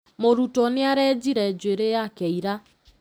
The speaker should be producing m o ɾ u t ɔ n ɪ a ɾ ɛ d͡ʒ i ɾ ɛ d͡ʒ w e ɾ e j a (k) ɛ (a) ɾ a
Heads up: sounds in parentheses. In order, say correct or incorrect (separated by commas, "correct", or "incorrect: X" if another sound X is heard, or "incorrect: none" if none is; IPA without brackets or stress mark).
correct, incorrect: i